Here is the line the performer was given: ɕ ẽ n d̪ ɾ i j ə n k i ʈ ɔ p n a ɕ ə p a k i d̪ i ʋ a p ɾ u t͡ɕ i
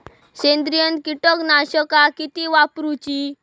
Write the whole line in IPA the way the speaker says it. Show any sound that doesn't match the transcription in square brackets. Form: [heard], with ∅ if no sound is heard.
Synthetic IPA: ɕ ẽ n d̪ ɾ i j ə n k i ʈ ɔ [k] n a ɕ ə [k] a k i [t̪] i ʋ a p ɾ u t͡ɕ i